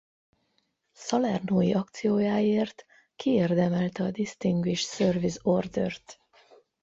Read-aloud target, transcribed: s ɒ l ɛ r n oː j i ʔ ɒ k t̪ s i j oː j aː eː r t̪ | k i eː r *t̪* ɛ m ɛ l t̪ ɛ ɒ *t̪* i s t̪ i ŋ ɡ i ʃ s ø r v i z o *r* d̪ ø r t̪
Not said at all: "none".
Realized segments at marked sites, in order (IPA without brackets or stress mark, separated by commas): d̪, d̪, r